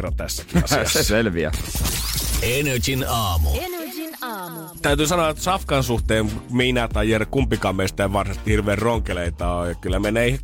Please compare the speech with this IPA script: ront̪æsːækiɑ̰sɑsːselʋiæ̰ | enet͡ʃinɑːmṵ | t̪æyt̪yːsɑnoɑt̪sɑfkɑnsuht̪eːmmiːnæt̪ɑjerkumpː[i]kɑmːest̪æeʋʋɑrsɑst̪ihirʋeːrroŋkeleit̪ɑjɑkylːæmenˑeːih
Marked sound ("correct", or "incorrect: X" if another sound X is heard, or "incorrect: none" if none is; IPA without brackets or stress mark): correct